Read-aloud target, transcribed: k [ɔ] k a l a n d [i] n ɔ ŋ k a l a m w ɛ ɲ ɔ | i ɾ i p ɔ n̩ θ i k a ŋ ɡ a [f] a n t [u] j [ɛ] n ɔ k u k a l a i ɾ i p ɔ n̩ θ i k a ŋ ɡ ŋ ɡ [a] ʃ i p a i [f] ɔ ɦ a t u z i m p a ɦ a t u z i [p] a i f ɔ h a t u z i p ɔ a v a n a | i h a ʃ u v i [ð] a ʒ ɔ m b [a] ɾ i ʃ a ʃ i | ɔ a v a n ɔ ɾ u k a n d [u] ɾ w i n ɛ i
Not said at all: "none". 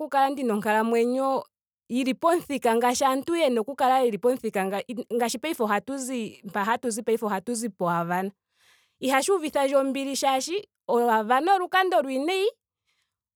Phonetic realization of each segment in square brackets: u, i, ʃ, u, ɛ, a, f, p, θ, i, ɔ

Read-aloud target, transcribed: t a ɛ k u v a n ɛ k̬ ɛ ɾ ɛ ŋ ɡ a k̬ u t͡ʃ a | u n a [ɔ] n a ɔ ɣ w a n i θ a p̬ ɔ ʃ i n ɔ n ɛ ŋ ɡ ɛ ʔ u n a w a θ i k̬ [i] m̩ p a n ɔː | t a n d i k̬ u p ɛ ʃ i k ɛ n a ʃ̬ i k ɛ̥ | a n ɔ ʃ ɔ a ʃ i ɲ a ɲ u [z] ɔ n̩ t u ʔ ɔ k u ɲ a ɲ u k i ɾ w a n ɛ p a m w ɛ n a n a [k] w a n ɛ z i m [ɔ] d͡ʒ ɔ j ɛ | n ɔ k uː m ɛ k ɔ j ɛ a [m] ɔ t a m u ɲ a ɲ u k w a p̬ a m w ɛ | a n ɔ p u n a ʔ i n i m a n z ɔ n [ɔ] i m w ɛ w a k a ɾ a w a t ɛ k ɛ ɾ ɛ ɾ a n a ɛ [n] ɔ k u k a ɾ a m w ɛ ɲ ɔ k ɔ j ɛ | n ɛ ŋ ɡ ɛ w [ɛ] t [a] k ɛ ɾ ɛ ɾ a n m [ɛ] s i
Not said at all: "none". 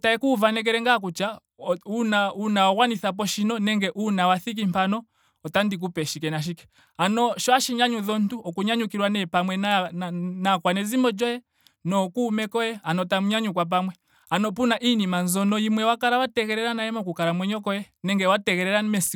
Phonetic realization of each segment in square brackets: u, i, ð, k, ɔ, n, ɔ, m, a, ɛ, ɛ

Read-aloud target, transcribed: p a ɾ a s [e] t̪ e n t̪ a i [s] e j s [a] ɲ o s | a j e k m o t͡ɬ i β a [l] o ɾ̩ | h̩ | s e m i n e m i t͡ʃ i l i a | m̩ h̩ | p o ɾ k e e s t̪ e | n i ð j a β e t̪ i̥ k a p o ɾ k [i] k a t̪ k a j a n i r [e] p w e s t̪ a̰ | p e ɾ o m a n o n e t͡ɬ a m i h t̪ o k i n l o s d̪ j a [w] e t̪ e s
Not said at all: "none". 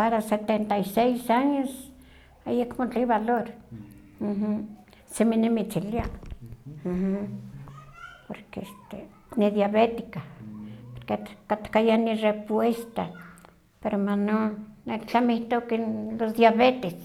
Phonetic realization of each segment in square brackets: e, s, a, l, e, e, β

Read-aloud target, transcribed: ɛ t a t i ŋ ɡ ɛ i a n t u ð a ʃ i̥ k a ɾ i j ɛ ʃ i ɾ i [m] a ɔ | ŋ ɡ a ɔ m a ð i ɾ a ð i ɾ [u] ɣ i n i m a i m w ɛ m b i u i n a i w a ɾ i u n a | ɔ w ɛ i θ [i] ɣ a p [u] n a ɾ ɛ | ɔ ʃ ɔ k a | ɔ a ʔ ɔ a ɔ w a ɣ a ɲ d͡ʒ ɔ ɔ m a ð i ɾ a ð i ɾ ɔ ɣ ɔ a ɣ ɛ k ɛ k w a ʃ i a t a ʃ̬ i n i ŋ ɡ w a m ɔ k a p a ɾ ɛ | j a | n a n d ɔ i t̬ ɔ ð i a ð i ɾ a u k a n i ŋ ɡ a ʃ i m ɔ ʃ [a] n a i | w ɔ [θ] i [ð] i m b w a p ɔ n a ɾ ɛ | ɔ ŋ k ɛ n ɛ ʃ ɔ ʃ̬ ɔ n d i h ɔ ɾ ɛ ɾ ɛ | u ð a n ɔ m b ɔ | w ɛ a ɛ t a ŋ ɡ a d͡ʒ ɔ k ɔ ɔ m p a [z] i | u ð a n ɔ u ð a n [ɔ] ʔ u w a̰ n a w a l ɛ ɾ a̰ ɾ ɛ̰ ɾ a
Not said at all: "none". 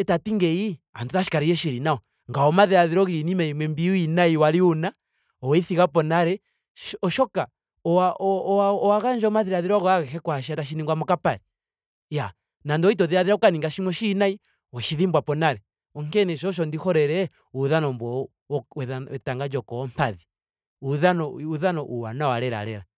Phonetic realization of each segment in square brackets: n, ɔ, i, ɔ, i, ʃ, ð, ð, ɔ

